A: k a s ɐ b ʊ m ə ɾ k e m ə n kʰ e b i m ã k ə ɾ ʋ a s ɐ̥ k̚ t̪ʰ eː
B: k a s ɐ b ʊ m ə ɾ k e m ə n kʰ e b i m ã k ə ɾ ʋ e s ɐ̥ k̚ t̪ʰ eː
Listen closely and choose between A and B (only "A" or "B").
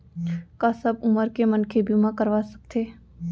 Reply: A